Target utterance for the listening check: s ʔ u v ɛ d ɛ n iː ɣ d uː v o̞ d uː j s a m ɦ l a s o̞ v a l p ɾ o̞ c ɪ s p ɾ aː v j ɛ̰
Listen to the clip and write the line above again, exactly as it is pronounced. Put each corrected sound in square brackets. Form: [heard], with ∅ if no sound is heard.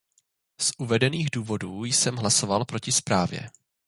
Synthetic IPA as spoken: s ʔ u v ɛ d ɛ n iː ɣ d uː v o̞ d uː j s [ɛ] m ɦ l a s o̞ v a l p ɾ o̞ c ɪ s p ɾ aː v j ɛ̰